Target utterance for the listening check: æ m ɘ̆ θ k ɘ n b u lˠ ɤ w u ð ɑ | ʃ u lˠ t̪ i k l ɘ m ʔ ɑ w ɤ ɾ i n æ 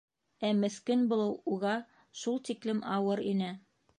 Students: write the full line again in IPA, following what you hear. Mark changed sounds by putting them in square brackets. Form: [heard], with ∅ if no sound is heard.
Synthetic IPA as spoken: æ m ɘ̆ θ k ɘ n b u lˠ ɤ w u [ʁ] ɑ | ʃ u lˠ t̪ i k l ɘ m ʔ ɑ w ɤ ɾ i n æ